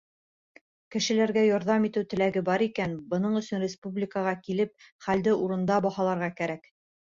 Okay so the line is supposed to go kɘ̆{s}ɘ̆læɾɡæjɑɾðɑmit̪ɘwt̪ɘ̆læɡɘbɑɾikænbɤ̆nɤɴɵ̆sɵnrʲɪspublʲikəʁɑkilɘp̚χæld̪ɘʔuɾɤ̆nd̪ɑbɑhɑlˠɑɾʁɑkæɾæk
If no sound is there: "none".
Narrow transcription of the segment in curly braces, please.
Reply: ʃ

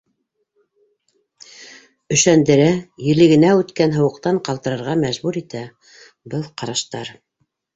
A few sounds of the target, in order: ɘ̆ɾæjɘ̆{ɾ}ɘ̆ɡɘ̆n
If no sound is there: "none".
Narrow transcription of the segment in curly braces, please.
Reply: l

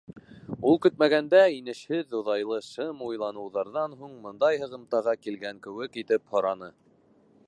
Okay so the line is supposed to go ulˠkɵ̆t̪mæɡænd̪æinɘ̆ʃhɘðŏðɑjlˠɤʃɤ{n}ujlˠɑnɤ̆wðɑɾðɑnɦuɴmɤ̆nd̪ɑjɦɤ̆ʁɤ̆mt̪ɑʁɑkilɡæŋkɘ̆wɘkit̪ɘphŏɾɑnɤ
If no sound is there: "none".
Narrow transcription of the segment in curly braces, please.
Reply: m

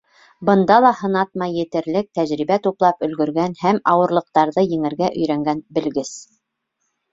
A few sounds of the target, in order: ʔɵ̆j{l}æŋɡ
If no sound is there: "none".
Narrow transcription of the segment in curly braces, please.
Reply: ɾ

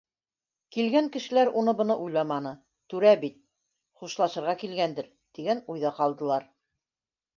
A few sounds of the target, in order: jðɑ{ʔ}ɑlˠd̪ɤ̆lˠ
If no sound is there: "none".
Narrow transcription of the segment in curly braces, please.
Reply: q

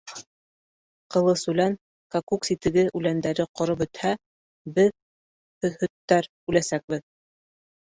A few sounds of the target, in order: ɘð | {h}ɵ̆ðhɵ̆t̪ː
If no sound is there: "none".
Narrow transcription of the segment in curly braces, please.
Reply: h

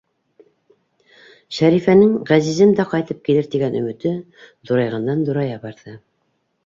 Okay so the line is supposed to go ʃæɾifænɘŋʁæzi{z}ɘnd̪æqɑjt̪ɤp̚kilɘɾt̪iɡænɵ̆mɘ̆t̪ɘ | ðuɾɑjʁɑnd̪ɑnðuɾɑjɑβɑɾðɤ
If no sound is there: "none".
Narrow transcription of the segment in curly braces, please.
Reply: z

